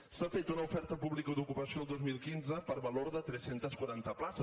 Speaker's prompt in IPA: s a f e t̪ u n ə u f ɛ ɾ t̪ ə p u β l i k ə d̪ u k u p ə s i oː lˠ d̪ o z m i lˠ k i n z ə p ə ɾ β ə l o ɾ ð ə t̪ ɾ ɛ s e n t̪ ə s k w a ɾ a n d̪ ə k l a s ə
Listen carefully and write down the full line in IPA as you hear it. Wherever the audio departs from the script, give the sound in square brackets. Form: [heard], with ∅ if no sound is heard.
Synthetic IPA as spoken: s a f e t̪ u n ə u f ɛ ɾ t̪ ə p u β l i k ə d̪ u k u p ə s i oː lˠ d̪ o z m i lˠ k i n z ə p ə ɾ β ə l o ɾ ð ə t̪ ɾ ɛ s e n t̪ ə s k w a ɾ a n [t̪] ə [p] l a s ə